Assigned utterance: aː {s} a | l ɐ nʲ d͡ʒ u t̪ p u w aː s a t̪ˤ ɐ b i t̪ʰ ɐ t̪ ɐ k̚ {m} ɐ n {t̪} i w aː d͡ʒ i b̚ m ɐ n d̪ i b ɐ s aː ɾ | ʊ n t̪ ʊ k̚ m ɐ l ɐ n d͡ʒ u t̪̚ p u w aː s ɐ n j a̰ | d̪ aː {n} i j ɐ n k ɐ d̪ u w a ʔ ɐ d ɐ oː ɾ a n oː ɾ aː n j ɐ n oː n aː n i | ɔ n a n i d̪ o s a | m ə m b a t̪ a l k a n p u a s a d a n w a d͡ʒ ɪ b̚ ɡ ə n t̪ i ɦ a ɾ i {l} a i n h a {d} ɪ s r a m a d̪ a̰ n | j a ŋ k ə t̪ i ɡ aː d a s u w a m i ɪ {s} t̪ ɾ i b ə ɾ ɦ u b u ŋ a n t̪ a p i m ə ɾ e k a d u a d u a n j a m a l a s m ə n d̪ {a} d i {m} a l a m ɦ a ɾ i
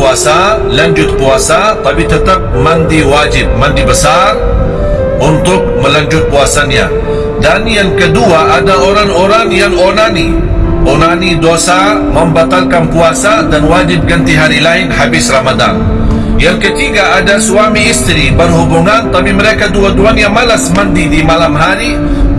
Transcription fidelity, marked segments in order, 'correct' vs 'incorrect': correct, correct, incorrect: d̪, correct, correct, incorrect: b, correct, incorrect: i, correct

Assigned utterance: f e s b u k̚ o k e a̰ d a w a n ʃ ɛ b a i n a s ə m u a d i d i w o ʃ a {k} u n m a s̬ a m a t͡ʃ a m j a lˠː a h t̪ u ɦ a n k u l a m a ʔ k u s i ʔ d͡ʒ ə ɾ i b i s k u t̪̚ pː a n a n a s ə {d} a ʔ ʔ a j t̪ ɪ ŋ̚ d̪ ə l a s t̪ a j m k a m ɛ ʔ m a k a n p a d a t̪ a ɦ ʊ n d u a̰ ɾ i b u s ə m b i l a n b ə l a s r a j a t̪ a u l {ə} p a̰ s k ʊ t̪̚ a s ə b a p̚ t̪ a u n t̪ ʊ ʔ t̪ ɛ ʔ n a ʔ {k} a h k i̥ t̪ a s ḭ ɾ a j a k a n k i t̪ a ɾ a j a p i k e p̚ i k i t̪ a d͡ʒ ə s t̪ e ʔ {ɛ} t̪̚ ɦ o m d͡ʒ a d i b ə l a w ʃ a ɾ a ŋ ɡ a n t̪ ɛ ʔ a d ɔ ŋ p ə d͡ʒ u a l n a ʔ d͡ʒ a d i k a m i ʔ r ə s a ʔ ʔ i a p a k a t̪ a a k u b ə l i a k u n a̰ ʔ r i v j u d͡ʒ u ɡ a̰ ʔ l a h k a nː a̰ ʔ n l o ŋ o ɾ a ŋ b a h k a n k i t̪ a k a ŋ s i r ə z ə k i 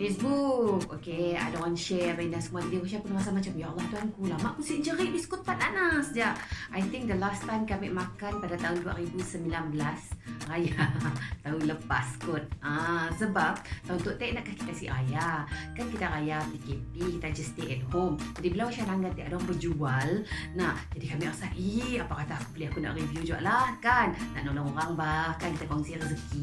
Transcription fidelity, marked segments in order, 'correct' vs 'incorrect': incorrect: p, incorrect: d͡ʒ, correct, correct, correct

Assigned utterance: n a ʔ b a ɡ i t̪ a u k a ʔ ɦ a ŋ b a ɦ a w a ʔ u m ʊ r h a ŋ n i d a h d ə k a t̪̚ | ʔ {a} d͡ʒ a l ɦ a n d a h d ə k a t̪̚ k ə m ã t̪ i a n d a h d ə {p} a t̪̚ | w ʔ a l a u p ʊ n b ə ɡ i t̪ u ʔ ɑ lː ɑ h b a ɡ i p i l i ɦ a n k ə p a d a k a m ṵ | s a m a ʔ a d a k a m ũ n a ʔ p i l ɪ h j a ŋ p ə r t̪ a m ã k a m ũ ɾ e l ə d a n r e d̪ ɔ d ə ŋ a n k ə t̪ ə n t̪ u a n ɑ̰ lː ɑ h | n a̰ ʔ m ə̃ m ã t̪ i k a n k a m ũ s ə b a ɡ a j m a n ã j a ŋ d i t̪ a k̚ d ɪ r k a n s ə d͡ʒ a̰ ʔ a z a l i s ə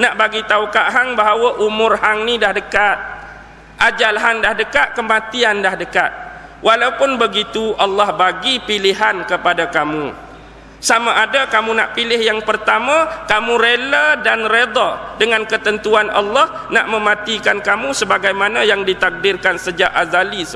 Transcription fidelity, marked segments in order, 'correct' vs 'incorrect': correct, incorrect: k

